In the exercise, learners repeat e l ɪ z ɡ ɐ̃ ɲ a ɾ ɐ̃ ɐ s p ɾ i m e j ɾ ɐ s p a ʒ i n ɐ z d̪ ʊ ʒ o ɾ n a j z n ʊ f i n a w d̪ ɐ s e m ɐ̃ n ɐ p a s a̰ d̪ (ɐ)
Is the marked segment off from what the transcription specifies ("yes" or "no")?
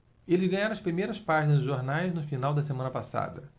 no